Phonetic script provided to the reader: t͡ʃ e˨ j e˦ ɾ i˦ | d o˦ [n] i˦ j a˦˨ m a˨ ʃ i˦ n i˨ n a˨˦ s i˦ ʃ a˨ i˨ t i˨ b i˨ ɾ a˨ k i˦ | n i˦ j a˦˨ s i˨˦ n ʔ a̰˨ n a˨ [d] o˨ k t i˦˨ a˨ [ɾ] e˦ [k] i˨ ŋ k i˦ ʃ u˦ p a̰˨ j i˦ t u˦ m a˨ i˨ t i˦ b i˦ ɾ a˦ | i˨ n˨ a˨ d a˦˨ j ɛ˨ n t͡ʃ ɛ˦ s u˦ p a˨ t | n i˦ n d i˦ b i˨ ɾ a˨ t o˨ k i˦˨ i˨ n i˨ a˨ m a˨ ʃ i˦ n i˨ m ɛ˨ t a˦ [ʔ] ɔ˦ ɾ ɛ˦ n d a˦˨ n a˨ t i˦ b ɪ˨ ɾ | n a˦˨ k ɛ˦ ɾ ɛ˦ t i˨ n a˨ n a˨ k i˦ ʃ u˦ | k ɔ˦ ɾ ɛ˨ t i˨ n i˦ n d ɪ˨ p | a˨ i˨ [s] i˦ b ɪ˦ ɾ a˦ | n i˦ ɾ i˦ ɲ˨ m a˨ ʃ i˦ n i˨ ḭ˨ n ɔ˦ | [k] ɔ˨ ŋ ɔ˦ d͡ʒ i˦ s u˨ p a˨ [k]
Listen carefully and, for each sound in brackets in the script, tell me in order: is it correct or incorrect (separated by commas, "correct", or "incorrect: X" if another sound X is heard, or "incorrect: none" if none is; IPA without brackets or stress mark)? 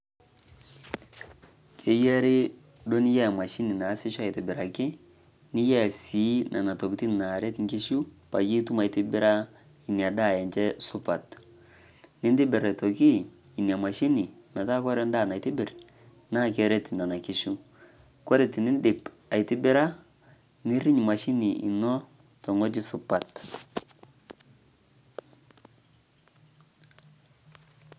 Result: correct, incorrect: t, correct, incorrect: t, incorrect: k, incorrect: t, incorrect: t, incorrect: t